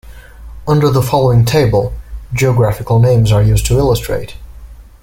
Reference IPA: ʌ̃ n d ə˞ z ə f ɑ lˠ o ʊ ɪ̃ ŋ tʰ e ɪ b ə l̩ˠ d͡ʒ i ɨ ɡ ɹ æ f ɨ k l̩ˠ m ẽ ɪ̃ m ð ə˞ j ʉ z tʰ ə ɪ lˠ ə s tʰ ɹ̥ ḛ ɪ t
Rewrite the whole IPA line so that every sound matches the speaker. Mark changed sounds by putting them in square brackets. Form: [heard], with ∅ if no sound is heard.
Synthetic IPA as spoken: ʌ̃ n d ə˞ [ð] ə f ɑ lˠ o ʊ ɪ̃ ŋ tʰ e ɪ b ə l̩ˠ d͡ʒ i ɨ ɡ ɹ æ f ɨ k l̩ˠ [n] ẽ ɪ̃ m [z] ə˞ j ʉ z tʰ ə ɪ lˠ ə s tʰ ɹ̥ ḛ ɪ t